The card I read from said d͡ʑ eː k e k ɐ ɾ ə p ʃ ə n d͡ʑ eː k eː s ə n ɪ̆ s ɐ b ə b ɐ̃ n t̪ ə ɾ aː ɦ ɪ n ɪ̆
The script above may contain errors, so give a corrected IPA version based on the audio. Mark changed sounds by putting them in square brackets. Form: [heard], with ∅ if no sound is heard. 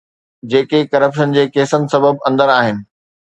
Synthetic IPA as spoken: d͡ʑ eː k e k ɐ ɾ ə p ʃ ə n d͡ʑ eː k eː s ə n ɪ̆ s ɐ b ə b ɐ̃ n [d̪] ə ɾ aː ɦ ɪ n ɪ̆

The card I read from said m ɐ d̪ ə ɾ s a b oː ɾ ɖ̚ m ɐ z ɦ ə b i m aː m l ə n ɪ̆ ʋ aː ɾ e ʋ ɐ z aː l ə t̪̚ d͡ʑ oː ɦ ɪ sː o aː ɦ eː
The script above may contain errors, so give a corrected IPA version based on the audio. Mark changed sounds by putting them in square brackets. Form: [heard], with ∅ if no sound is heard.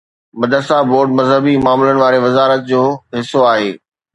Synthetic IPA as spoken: m ɐ d̪ ə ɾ s a b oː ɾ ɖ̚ m ɐ z ɦ ə b i m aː m l ə n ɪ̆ ʋ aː ɾ e ʋ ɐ z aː [ɾ] ə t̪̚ d͡ʑ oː ɦ ɪ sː o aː ɦ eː

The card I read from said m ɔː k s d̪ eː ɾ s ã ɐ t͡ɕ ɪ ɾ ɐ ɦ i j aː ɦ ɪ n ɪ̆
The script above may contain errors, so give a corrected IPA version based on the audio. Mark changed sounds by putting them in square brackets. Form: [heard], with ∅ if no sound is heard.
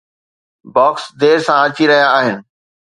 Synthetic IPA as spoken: [b] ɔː k s d̪ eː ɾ s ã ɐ t͡ɕ [i] ɾ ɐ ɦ i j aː ɦ ɪ n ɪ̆

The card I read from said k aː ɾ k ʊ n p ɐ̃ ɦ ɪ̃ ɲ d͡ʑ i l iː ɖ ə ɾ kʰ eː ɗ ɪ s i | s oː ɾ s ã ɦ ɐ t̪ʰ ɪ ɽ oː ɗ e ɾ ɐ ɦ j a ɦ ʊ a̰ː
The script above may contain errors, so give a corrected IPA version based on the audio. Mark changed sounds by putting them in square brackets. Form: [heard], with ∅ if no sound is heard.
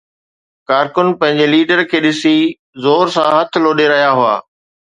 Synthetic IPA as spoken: k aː ɾ k ʊ n p ɐ̃ ɦ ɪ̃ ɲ d͡ʑ [e] l iː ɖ ə ɾ kʰ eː ɗ ɪ s i | [z] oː ɾ s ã ɦ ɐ t̪ʰ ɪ [l] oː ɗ e ɾ ɐ ɦ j a ɦ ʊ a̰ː

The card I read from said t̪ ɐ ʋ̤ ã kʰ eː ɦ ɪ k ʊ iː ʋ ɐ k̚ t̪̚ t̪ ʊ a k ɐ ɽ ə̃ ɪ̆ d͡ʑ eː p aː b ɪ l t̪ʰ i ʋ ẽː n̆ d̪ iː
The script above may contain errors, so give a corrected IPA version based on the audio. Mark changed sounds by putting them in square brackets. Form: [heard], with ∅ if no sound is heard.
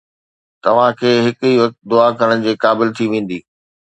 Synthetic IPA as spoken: t̪ ɐ ʋ̤ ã kʰ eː ɦ ɪ k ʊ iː ʋ ɐ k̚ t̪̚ [d̪] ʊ a k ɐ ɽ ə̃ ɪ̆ d͡ʑ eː [k] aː b ɪ l t̪ʰ i ʋ ẽː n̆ d̪ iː

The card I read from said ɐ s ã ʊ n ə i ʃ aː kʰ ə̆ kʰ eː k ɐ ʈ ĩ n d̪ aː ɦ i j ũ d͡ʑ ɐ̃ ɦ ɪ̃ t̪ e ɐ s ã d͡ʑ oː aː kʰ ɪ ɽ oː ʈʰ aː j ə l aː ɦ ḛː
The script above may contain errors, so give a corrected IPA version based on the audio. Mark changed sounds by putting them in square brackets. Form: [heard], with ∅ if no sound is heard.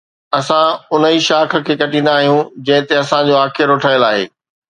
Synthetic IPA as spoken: ɐ s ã ʊ n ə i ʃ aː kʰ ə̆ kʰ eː k ɐ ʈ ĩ n d̪ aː ɦ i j ũ d͡ʑ ɐ̃ ɦ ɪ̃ t̪ e ɐ s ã d͡ʑ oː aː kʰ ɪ [ɾ] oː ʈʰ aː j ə l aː ɦ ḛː

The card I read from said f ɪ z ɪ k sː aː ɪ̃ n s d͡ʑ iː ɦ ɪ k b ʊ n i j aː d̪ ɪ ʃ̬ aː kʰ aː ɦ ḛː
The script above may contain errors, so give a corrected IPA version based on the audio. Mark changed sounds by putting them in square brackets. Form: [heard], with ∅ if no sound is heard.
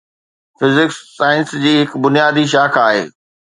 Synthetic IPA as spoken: f ɪ z ɪ k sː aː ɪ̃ n s d͡ʑ iː ɦ ɪ k b ʊ n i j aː d̪ [i] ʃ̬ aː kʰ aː ɦ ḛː

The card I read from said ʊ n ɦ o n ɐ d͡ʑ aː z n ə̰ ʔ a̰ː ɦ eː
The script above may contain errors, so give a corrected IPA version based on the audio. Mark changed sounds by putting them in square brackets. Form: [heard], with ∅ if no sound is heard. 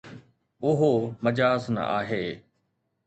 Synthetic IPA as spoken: ʊ [∅] ɦ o [m] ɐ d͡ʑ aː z n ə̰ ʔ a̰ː ɦ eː

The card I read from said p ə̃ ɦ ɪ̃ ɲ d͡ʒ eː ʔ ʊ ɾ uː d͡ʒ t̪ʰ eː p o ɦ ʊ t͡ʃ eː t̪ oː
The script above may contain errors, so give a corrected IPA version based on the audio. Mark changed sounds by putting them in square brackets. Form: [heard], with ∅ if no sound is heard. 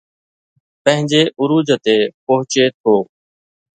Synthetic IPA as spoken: p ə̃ ɦ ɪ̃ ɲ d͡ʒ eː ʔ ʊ ɾ uː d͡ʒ [t̪] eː p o ɦ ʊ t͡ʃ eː [t̪ʰ] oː

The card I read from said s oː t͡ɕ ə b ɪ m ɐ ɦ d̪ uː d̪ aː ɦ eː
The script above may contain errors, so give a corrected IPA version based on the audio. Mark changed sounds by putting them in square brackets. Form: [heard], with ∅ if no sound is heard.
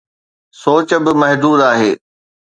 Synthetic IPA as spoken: s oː t͡ɕ ə b ɪ m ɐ ɦ d̪ uː d̪ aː ɦ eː

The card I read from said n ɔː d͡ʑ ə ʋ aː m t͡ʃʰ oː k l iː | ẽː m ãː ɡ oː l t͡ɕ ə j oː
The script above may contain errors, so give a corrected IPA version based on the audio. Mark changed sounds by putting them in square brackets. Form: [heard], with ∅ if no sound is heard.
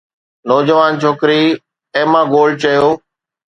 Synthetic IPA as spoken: n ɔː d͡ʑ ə ʋ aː [n] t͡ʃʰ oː k [ɾ] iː | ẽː m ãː ɡ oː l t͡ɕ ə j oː

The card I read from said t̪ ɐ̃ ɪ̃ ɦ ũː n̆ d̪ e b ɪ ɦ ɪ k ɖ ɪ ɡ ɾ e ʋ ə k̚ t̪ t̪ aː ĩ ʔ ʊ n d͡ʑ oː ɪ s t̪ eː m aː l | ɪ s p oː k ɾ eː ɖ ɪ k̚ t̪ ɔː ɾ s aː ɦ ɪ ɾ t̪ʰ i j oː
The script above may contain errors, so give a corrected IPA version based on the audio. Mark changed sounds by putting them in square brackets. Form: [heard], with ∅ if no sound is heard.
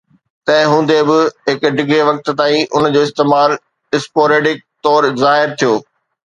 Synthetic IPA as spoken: t̪ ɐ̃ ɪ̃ ɦ ũː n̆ d̪ e b ɪ ɦ ɪ k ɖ ɪ ɡ ɾ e ʋ [ɐ] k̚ t̪ t̪ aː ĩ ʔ ʊ n d͡ʑ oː ɪ s t̪ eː m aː l | ɪ s p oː [∅] ɾ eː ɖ ɪ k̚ t̪ ɔː ɾ [z] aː ɦ ɪ ɾ t̪ʰ i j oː

